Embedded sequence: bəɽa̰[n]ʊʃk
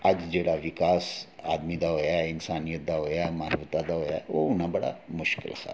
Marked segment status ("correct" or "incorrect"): incorrect